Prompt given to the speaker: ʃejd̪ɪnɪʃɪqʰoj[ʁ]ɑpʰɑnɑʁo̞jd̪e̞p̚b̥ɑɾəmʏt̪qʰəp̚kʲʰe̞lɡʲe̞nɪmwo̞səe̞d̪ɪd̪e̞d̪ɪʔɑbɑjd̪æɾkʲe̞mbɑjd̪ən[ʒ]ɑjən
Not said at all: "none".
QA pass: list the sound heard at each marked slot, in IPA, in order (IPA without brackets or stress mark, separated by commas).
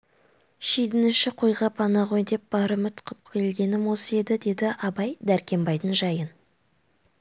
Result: ʁ, ʒ